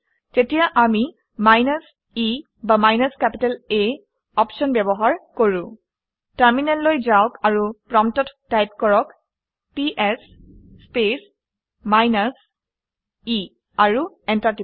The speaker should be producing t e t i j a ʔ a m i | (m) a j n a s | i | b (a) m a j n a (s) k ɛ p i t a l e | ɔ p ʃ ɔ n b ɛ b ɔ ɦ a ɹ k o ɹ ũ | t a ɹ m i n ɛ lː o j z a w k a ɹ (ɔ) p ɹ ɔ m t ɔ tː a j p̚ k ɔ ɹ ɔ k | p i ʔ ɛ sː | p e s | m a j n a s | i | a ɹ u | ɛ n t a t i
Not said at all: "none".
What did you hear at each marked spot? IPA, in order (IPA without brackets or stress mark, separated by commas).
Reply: m, a, s, u